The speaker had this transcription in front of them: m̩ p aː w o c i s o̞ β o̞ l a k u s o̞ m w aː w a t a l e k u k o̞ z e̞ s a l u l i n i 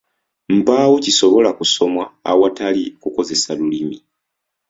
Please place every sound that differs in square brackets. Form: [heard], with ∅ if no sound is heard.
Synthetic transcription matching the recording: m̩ p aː w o c i s o̞ β o̞ l a k u s o̞ m w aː w a t a l [i] k u k o̞ z e̞ s a l u l i [m] i